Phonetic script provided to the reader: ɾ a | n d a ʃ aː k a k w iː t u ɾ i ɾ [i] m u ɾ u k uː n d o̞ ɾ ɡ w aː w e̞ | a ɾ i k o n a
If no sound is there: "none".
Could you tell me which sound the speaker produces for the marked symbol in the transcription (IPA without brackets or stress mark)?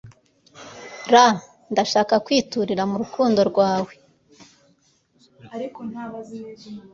a